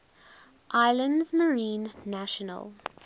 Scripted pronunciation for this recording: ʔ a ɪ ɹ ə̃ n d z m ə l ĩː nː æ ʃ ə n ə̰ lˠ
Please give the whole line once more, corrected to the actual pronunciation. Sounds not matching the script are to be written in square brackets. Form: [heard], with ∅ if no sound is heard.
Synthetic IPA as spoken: ʔ a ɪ [l] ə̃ n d z m ə [ɹ] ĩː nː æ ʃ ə n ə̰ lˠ